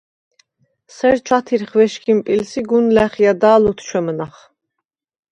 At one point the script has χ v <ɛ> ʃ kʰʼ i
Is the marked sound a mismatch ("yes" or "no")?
no